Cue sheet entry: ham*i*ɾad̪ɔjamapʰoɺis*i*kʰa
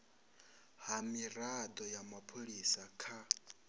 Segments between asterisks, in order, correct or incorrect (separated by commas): correct, incorrect